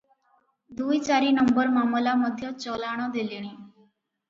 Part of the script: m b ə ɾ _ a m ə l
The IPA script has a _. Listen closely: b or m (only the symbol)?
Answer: m